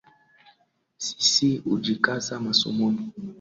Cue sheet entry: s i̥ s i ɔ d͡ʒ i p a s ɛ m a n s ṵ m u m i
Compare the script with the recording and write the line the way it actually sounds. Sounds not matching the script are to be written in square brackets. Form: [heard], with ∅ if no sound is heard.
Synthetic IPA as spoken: s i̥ s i [u] d͡ʒ i [k] a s [a] m a [∅] s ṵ m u [n] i